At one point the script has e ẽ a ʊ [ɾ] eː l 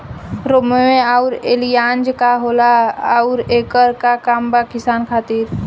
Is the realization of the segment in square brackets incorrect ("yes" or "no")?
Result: no